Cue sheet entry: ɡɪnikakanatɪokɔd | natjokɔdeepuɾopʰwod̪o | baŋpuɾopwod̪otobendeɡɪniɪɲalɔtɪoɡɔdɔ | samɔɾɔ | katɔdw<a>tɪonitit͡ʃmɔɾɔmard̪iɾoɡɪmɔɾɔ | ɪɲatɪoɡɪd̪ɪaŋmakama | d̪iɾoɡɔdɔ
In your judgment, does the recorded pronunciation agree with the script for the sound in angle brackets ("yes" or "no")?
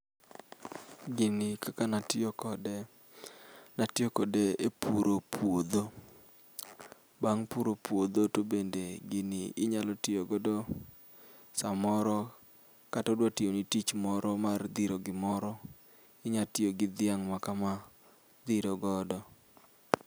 yes